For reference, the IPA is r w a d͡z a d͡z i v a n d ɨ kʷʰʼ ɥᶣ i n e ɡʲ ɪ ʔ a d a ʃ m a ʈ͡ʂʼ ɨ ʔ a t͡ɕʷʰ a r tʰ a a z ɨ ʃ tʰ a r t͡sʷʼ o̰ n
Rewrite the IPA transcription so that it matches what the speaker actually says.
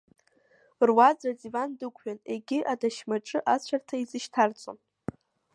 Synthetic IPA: r w a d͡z a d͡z i v a n d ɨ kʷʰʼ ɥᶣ a n e ɡʲ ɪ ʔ a d a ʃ m a ʈ͡ʂʼ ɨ ʔ a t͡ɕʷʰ a r tʰ a i z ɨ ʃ tʰ a r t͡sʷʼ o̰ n